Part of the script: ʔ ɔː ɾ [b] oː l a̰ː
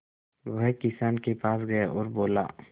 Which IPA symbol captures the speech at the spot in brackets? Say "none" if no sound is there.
b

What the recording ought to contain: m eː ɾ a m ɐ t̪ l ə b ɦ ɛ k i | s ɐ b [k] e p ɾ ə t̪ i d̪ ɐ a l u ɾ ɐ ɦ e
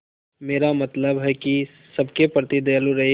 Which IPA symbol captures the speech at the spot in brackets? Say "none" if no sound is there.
k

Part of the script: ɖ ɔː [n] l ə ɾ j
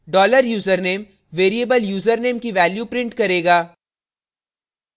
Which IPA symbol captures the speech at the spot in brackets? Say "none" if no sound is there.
none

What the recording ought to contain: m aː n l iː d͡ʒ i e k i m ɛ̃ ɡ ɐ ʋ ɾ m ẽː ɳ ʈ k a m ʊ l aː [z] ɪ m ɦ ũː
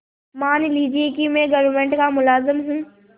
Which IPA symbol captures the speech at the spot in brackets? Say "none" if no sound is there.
z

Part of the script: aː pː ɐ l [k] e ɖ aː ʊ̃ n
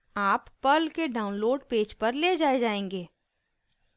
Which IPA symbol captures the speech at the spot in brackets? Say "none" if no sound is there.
k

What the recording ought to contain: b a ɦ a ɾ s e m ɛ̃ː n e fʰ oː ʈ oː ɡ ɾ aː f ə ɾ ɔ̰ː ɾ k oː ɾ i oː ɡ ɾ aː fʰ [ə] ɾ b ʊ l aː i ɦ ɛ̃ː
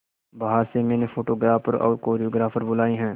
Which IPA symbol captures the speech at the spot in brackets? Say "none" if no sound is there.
ə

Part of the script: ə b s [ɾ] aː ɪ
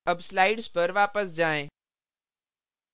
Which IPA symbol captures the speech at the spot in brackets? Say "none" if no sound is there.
l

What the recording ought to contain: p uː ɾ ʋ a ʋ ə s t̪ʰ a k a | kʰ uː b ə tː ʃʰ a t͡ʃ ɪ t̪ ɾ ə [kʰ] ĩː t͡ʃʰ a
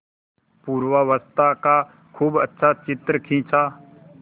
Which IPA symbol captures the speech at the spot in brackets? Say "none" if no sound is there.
kʰ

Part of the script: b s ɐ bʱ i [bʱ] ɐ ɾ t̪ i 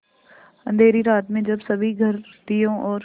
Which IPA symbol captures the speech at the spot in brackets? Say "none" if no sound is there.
ɡʱ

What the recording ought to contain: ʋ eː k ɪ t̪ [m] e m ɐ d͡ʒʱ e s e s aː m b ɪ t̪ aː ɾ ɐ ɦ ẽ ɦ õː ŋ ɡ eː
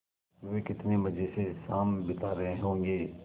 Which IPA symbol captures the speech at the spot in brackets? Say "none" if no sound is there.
n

